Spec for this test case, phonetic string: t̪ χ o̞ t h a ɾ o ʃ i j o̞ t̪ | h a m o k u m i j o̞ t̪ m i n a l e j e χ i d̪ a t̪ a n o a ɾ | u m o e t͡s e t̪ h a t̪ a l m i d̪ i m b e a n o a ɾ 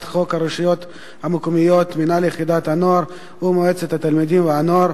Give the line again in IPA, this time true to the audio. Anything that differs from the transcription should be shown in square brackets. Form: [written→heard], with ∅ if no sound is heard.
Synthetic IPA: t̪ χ o̞ [t→k] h a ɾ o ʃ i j o̞ t̪ | h a m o k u m i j o̞ t̪ m i n a l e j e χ i d̪ a t̪ a n o a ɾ | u m o e t͡s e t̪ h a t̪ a l m i d̪ i m [b→v] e a n o a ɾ